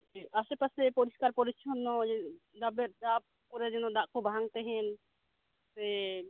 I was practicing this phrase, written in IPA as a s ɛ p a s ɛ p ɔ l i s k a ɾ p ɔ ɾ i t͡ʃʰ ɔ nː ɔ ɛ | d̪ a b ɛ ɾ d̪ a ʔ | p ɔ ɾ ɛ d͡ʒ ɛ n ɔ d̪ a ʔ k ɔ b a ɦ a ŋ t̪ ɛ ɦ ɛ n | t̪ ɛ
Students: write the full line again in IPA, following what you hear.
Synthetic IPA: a s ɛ p a s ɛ p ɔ ɾ i s k a ɾ p ɔ ɾ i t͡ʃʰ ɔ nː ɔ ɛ | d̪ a b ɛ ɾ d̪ a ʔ | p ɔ ɾ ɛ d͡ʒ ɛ n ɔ d̪ a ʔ k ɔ b a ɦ a ŋ t̪ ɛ ɦ ɛ n | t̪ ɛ

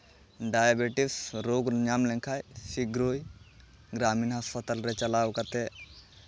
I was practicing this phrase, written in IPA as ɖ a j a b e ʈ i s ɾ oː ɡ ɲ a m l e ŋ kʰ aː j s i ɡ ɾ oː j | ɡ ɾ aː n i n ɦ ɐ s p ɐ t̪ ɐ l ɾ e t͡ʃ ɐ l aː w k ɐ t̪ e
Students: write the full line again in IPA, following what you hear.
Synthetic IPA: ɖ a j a b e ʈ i s ɾ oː ɡ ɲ a m l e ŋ kʰ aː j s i ɡ ɾ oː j | ɡ ɾ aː m i n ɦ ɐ s p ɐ t̪ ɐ l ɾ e t͡ʃ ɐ l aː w k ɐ t̪ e

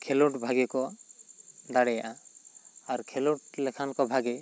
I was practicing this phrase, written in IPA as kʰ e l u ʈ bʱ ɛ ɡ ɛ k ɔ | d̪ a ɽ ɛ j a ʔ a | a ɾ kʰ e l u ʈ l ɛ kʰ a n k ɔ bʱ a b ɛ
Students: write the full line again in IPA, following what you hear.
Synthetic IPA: kʰ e l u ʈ bʱ a ɡ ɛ k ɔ | d̪ a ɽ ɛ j a ʔ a | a ɾ kʰ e l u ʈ l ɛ kʰ a n k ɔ bʱ a ɡ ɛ

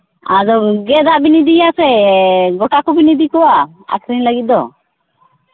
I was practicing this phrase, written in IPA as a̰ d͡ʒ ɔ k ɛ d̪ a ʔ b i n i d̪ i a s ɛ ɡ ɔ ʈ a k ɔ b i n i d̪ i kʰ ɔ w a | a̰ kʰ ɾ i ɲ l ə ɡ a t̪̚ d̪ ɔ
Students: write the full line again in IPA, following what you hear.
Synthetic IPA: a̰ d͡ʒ ɔ ɡ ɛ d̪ a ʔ b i n i d̪ i a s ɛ ɡ ɔ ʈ a k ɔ b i n i d̪ i k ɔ w a | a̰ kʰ ɾ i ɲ l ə ɡ i t̪̚ d̪ ɔ

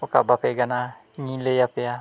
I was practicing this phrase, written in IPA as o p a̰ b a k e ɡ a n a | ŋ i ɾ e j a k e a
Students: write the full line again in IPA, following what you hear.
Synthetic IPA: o k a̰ b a p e ɡ a n a | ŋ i l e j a p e a

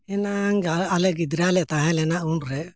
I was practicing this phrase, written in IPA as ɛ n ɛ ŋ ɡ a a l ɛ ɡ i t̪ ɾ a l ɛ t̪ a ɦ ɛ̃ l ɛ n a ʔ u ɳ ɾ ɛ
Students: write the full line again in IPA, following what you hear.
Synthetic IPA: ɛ n a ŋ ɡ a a l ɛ ɡ i d̪ ɾ a l ɛ t̪ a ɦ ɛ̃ l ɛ n a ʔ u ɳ ɾ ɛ

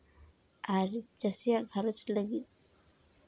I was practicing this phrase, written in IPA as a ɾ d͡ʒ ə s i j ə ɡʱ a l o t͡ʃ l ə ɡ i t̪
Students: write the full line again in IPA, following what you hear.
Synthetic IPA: a ɾ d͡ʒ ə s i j a ɡʱ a ɾ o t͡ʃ l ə ɡ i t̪

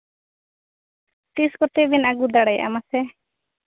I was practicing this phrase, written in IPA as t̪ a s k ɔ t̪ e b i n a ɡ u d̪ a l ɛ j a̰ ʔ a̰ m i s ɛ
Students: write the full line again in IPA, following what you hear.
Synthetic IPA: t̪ i s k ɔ t̪ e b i n a ɡ u d̪ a ɽ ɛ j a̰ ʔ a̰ m a s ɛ

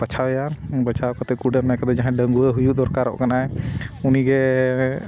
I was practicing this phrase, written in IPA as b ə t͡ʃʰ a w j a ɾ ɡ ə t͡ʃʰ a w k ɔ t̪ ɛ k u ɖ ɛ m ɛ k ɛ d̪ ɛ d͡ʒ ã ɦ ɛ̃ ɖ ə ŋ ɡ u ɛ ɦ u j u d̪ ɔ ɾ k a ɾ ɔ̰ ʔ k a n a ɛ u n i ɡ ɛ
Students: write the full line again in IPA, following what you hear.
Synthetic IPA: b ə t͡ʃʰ a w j a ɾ b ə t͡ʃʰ a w k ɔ t̪ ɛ k u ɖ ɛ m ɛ k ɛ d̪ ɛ d͡ʒ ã ɦ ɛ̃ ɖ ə ŋ ɡ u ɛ ɦ u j u d̪ ɔ ɾ k a ɾ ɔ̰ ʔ k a n a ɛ u n i ɡ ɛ

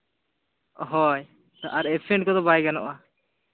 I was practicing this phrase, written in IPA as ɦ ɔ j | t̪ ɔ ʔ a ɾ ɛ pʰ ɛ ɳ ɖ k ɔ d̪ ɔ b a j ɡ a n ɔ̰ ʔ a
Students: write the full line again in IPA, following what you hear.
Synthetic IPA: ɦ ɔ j | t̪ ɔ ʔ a ɾ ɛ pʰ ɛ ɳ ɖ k ɔ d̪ ɔ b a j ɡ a n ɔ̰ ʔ a

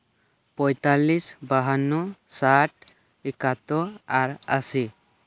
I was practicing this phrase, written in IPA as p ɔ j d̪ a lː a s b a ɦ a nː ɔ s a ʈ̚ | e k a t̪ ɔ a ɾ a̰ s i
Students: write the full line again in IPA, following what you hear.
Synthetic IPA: p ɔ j t̪ a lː i s b a ɦ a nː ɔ s a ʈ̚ | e k a t̪ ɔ a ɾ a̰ s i

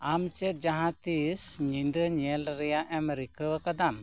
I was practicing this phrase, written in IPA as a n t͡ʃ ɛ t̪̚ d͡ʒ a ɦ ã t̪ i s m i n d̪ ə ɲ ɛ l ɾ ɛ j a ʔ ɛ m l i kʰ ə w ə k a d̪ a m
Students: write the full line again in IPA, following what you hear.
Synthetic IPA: a m t͡ʃ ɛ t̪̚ d͡ʒ a ɦ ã t̪ i s ɲ i n d̪ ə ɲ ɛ l ɾ ɛ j a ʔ ɛ m ɾ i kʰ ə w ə k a d̪ a m

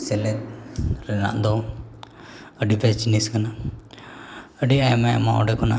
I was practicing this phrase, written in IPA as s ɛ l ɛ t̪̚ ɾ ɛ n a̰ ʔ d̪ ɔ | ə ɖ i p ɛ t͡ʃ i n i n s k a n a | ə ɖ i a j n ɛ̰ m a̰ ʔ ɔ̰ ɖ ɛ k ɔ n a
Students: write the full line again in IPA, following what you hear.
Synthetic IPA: s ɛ l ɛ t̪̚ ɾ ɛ n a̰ ʔ d̪ ɔ | ə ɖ i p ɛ t͡ʃ i n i s k a n a | ə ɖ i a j m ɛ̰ m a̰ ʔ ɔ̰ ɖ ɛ k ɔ n a

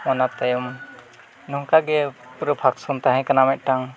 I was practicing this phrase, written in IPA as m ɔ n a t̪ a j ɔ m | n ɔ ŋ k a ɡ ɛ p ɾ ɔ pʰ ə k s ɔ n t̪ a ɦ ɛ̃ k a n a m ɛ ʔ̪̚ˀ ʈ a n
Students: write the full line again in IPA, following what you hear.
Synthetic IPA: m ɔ n a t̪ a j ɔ m | n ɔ ŋ k a ɡ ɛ p ɾ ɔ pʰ a k s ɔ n t̪ a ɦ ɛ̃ k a n a m ɛ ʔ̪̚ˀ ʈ a ŋ

